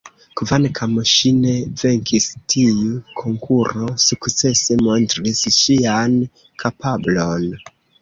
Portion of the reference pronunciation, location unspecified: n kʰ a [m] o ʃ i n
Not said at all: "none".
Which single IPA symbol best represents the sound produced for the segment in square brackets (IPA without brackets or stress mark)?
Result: m